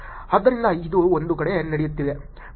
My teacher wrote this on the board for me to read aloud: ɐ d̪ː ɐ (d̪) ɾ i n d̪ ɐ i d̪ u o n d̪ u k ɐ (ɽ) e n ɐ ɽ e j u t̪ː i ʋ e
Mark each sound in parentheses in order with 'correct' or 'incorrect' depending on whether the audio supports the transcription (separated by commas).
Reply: incorrect, correct